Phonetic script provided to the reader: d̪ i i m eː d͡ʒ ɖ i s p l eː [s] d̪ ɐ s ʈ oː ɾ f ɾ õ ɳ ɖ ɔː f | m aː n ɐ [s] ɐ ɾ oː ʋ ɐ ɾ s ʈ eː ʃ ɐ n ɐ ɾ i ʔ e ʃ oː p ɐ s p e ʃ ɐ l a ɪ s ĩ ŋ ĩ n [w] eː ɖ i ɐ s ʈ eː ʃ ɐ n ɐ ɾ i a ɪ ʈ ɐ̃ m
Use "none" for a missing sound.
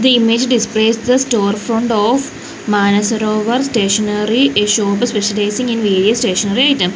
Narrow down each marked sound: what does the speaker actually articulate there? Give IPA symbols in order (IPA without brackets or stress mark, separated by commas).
s, s, ʋ